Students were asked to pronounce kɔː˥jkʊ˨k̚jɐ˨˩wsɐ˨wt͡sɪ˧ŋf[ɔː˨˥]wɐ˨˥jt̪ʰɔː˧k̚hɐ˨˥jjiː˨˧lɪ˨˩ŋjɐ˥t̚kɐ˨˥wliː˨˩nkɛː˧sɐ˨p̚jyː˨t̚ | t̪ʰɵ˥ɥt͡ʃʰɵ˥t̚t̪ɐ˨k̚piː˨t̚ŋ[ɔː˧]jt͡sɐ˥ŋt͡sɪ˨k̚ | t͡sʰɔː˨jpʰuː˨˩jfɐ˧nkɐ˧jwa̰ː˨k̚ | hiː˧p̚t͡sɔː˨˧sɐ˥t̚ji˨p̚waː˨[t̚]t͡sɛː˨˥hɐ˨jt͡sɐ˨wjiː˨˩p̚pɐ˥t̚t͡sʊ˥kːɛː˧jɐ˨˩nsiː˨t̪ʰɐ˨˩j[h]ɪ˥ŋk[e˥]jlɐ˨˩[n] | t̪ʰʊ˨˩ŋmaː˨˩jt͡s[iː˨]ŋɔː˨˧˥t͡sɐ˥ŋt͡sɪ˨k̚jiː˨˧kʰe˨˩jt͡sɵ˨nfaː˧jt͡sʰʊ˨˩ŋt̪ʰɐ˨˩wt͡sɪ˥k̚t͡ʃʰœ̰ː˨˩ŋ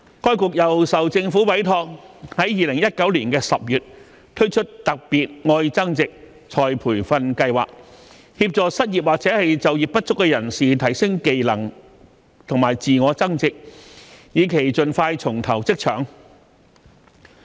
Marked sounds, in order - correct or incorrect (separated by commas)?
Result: incorrect, correct, incorrect, incorrect, incorrect, incorrect, correct